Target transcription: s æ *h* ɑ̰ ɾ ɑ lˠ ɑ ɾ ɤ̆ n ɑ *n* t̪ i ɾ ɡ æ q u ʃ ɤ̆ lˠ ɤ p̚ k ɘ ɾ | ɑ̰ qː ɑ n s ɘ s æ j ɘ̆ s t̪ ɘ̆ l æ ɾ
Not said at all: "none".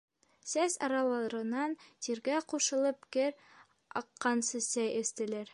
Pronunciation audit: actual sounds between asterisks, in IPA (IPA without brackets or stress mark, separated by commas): s, n